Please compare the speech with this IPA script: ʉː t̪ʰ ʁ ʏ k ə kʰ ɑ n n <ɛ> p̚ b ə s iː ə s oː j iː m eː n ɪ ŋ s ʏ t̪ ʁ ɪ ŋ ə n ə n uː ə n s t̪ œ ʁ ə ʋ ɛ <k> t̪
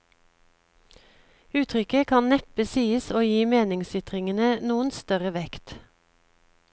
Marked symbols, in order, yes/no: yes, yes

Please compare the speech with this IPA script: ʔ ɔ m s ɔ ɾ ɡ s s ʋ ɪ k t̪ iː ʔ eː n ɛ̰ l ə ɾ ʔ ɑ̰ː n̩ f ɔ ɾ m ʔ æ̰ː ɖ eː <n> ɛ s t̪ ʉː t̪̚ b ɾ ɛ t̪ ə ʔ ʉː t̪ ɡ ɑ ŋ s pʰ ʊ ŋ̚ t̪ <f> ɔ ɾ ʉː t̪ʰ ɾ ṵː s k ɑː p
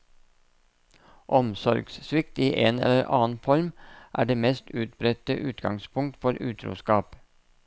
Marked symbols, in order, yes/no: no, yes

